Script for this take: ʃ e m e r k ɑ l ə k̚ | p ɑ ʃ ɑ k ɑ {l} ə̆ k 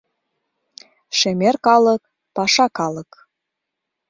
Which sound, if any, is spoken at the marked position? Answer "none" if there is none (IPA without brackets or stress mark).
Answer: l